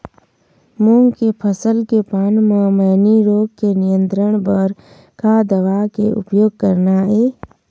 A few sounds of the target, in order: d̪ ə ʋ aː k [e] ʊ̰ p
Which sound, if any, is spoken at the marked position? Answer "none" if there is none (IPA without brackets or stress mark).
e